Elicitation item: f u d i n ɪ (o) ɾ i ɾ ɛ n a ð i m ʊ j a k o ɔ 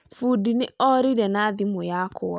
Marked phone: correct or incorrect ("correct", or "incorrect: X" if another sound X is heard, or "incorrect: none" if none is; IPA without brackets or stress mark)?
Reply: incorrect: ɔ